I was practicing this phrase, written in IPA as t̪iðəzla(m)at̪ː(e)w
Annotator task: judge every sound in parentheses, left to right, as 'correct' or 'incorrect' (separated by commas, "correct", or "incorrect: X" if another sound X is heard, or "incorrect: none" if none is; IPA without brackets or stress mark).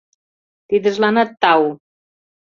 incorrect: n, incorrect: a